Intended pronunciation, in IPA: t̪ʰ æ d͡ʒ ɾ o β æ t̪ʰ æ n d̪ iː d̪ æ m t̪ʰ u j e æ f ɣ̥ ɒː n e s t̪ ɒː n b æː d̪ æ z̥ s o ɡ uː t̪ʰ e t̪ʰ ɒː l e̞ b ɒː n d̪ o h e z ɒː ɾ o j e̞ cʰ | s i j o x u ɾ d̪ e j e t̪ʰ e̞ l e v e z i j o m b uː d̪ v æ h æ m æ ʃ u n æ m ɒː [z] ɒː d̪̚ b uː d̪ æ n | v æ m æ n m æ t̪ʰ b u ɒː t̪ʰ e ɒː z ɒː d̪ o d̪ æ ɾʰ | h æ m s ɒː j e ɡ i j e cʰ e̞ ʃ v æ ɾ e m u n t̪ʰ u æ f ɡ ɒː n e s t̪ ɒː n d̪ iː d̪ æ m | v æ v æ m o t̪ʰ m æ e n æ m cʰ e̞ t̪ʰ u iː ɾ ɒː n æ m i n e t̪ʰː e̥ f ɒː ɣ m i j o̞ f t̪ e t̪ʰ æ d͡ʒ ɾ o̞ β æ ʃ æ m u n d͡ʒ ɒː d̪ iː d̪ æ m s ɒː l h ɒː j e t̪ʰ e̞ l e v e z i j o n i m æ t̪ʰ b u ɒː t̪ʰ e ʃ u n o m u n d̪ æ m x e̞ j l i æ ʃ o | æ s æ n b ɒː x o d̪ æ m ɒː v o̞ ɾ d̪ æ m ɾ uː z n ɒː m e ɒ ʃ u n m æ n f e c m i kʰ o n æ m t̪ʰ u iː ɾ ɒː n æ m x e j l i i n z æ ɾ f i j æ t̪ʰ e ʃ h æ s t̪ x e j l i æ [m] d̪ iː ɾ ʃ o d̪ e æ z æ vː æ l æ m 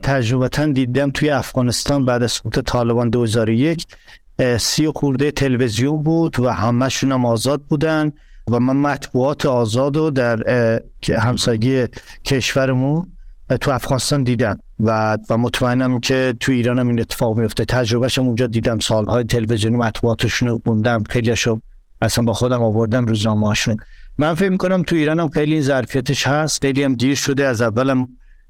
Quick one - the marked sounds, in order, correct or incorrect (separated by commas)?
correct, correct